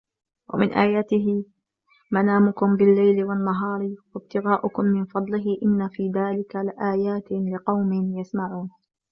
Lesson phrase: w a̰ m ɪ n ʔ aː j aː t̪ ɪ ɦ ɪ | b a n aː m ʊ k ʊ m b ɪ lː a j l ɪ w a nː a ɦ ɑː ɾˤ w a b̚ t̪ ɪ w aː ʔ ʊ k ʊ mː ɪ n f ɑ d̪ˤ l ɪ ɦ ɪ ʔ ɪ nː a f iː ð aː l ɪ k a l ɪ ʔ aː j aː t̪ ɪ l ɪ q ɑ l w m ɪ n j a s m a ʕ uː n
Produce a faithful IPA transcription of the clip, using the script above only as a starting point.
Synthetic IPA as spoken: w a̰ m ɪ n ʔ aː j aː t̪ ɪ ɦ ɪ | m a n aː m ʊ k ʊ m b ɪ lː a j l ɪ w a nː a ɦ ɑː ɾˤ w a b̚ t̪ ɪ ɣ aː ʔ ʊ k ʊ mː ɪ n f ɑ d̪ˤ l ɪ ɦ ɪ ʔ ɪ nː a f iː ð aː l ɪ k a l ɪ ʔ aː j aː t̪ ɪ l ɪ q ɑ w m ɪ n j a s m a ʕ uː n